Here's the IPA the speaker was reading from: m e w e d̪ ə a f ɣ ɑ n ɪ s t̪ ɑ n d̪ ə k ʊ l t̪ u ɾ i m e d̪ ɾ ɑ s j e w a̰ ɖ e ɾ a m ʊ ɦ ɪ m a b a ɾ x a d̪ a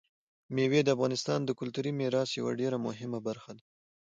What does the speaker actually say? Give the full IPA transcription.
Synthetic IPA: m e w e d̪ ə a f ɣ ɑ n ɪ s t̪ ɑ n d̪ ə k ʊ l t̪ u ɾ i m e ɾ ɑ s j a w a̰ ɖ e ɾ a m ʊ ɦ ɪ m a b a ɾ x a d̪ a

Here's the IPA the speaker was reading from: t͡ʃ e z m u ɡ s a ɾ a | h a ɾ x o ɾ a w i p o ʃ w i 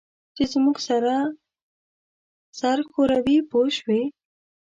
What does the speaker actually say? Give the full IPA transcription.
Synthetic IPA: t͡ʃ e z m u ɡ s a ɾ a | s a ɾ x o ɾ a w i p o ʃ w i

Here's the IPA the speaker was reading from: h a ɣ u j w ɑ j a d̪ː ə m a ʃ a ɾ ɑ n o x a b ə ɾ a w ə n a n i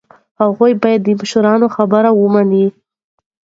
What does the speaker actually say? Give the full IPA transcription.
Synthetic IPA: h a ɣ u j b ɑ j a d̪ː ə m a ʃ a ɾ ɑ n o x a b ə ɾ a w ə m a n i

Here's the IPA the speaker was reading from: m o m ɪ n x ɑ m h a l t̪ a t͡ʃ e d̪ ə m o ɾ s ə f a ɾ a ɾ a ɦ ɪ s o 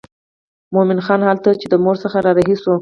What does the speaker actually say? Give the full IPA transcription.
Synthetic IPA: m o m ɪ n x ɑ n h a l t̪ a t͡ʃ e d̪ ə m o ɾ s ə x a ɾ ɑ ɾ a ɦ i s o

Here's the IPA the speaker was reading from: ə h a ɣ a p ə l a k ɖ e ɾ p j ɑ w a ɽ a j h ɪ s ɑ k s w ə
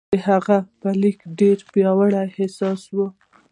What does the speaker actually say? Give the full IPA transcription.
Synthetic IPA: ə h a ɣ a p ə l i k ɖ e ɾ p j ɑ w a ɽ a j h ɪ s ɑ s w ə

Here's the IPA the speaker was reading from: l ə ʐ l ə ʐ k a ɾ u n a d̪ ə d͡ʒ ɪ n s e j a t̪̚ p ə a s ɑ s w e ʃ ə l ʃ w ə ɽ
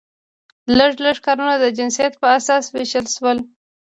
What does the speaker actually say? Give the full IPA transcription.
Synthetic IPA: l ə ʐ l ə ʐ k ɑ ɾ u n a d̪ ə d͡ʒ ɪ n s i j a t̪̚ p ə a s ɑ s w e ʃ ə l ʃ w ə l

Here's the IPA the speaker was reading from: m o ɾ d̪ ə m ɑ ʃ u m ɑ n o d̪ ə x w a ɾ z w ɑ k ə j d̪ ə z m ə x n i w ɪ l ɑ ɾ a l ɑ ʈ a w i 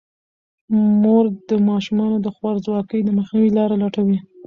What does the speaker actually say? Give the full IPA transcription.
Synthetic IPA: m o ɾ d̪ ə m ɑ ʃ u m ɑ n o d̪ ə x w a ɾ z w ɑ k ə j d̪ ə m ə x n i w i l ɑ ɾ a l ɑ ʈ a w i

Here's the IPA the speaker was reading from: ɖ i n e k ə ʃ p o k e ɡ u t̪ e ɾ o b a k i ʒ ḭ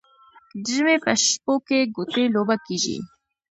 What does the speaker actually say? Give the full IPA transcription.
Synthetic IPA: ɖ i m e p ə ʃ p o k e ɡ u t̪ e l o b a k i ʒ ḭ

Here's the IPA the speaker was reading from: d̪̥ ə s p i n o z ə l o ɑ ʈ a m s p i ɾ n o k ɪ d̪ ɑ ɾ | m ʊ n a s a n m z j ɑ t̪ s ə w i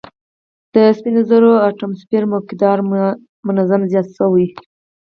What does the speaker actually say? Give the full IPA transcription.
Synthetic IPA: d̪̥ ə s p i n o z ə ɾ o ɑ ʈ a m s p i ɾ m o k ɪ d̪ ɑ ɾ | m ʊ n a z a m z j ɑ t̪ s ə w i

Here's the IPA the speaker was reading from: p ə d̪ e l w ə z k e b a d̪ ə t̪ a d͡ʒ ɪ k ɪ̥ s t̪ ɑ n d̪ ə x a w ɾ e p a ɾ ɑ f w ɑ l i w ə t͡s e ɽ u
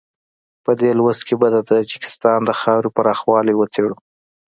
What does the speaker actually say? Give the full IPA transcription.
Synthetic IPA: p ə d̪ e l w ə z k e b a d̪ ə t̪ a d͡ʒ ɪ k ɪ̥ s t̪ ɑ n d̪ ə x ɑ w ɾ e p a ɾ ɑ x w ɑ l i w ə t͡s e ɽ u

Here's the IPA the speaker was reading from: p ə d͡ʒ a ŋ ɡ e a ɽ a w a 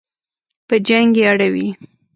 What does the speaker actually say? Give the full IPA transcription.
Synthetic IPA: p ə d͡ʒ a ŋ ɡ e a ɽ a w i

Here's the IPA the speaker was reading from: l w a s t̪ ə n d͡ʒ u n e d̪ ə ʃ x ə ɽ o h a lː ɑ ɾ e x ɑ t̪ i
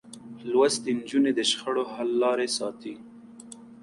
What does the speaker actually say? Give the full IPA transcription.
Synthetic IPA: l w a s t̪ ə n d͡ʒ u n e d̪ ə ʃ x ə ɽ o h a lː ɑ ɾ e s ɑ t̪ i

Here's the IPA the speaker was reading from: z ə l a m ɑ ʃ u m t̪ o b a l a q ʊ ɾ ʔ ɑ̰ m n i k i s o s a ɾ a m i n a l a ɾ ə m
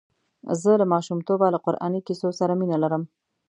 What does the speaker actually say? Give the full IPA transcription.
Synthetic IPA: z ə l a m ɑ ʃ u m t̪ o b a l a q ʊ ɾ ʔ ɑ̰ n i k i s o s a ɾ a m i n a l a ɾ ə m

